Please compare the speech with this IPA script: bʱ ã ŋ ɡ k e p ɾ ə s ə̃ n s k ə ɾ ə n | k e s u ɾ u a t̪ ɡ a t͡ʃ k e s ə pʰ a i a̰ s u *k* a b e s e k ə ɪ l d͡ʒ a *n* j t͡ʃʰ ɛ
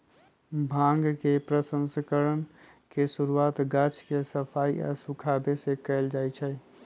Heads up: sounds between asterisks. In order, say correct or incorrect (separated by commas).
incorrect, incorrect